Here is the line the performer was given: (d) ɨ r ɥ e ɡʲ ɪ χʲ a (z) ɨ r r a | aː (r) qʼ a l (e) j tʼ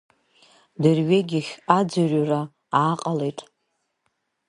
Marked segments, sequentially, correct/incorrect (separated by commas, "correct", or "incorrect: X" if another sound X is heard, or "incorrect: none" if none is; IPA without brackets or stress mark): correct, incorrect: d͡z, incorrect: none, correct